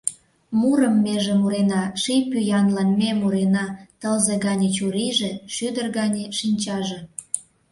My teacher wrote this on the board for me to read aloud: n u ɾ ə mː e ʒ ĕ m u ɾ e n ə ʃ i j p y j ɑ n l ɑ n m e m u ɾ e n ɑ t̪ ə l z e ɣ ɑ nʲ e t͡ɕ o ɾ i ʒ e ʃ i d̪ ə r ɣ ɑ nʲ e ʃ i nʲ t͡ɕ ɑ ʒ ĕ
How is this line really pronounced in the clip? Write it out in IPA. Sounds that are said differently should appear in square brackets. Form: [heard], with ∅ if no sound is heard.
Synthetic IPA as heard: [m] u ɾ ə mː e ʒ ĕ m u ɾ e n [ɑ] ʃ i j p y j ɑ n l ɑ n m e m u ɾ e n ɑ t̪ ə l z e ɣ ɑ nʲ e t͡ɕ [u] ɾ i ʒ e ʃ [y] d̪ ə r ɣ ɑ nʲ e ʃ i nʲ t͡ɕ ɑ ʒ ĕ

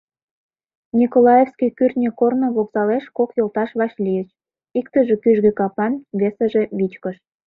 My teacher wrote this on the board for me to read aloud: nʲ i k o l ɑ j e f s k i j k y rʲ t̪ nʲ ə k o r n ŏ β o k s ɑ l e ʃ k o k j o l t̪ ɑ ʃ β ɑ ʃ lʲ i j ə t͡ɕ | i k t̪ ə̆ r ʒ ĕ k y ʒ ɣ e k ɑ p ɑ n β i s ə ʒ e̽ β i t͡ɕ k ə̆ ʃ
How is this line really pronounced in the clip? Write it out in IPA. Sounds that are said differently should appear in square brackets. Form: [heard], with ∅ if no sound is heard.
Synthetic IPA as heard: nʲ i k o l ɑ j e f s k i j k y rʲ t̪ nʲ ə k o r n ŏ β o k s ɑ l e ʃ k o k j o l t̪ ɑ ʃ β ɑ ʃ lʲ i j ə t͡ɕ | i k t̪ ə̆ [∅] ʒ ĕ k y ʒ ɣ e k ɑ p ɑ n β [e] s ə ʒ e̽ β i t͡ɕ k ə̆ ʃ

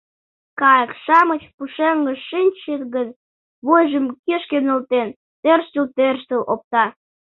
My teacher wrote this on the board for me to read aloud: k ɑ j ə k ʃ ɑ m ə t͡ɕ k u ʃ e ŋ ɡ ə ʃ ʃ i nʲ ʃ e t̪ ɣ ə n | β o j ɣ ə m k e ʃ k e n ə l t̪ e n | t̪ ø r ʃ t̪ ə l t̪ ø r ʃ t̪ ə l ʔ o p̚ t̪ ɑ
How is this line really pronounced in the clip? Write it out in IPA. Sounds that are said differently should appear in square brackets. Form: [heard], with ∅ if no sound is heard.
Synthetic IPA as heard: k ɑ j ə k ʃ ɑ m ə t͡ɕ [p] u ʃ e ŋ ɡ ə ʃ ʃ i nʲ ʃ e t̪ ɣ ə n | β o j [ʒ] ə m k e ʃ k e n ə l t̪ e n | t̪ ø r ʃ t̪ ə l t̪ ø r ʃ t̪ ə l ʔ o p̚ t̪ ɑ

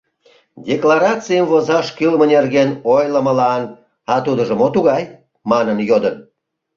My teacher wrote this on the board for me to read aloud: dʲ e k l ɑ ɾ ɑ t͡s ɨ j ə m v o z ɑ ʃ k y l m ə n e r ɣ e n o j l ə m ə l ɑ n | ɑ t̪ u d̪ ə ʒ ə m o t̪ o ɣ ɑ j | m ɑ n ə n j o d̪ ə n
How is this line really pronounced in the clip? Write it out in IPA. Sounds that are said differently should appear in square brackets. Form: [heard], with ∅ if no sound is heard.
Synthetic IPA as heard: dʲ e k l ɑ ɾ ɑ t͡s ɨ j ə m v o z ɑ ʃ k y l m ə n e r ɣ e n o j l ə m ə l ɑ n | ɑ t̪ u d̪ ə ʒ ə m o t̪ [u] ɣ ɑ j | m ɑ n ə n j o d̪ ə n

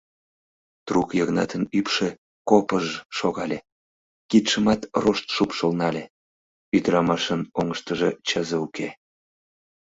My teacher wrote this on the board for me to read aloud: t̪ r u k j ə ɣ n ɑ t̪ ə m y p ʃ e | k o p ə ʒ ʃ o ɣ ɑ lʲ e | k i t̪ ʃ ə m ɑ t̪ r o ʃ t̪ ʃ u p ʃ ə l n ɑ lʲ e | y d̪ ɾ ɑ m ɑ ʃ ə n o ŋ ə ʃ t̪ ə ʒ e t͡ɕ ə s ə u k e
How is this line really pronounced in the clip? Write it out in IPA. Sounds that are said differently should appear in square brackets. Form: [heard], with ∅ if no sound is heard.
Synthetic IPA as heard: t̪ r u k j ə ɣ n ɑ t̪ ə [n] y p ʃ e | k o p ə ʒ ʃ o ɣ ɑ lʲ e | k i t̪ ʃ ə m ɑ t̪ r o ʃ t̪ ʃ u p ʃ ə l n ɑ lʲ e | y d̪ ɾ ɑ m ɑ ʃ ə n o ŋ ə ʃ t̪ ə ʒ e t͡ɕ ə [z] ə u k e

